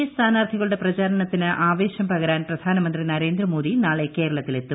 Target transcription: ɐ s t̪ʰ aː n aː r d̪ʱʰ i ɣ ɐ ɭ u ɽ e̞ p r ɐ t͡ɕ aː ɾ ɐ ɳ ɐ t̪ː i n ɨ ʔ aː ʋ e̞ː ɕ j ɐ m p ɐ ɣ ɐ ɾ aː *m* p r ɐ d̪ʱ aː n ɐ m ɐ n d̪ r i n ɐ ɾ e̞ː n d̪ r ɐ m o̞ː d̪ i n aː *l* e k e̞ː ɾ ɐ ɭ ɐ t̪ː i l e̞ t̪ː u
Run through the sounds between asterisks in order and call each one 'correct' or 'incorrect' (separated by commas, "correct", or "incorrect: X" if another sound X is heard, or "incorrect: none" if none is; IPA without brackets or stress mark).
incorrect: n, incorrect: ɭ